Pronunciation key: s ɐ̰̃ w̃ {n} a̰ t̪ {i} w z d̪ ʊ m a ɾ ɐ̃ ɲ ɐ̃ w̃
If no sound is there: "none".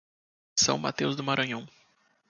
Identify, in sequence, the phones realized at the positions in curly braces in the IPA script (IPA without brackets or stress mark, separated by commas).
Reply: m, e